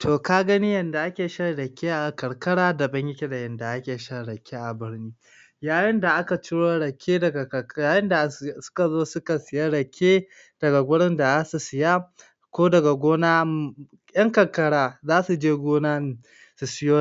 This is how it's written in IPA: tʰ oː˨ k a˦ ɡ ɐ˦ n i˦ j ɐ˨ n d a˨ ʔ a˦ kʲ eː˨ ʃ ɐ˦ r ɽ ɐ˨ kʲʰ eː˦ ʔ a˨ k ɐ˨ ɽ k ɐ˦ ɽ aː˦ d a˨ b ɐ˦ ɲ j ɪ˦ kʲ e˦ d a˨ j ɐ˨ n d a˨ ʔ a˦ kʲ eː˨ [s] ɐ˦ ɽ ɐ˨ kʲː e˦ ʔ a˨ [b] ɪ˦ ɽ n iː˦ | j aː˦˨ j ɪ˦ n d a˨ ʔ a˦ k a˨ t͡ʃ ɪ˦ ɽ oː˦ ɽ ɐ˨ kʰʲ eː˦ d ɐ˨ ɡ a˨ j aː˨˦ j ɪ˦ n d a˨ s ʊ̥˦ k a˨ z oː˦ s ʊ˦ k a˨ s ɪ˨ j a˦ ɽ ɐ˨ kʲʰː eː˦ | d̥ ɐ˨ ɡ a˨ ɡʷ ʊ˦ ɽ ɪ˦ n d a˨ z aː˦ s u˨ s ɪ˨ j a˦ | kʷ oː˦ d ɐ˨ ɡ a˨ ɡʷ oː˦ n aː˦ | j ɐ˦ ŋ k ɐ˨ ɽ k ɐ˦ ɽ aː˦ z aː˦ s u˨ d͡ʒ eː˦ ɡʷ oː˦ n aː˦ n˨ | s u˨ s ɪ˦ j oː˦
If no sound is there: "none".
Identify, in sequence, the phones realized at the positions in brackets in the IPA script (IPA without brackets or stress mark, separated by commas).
ʃ, b